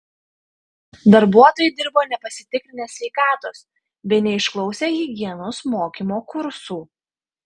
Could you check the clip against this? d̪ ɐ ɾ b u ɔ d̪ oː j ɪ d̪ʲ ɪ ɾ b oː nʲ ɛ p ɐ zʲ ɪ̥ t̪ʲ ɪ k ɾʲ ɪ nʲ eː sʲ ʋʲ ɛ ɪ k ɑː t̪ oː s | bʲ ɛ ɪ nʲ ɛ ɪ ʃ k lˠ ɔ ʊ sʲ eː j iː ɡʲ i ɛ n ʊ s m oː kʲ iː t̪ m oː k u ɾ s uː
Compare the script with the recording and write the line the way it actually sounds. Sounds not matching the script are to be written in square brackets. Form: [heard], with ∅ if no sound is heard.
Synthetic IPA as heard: d̪ ɐ ɾ b u ɔ [t̪] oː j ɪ d̪ʲ ɪ ɾ b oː nʲ ɛ p ɐ [sʲ] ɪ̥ t̪ʲ ɪ k ɾʲ ɪ nʲ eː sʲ ʋʲ ɛ ɪ k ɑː t̪ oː s | bʲ ɛ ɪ nʲ ɛ ɪ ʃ k lˠ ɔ ʊ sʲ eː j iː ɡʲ i ɛ n ʊ s m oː kʲ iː [∅] m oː k [ʊ] ɾ s uː